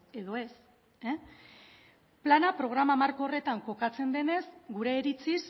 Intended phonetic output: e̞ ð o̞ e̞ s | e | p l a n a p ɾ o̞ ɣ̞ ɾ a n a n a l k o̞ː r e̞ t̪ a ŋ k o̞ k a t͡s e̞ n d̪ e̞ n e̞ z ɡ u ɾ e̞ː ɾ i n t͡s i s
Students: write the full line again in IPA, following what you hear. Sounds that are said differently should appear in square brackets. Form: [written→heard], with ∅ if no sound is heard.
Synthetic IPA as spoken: e̞ ð o̞ e̞ s | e | p l a n a p ɾ o̞ ɣ̞ ɾ a [n→m] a [n→m] a [l→ɾ] k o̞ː r e̞ t̪ a ŋ k o̞ k a t͡s e̞ n d̪ e̞ n e̞ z ɡ u ɾ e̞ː ɾ i [n→∅] t͡s i s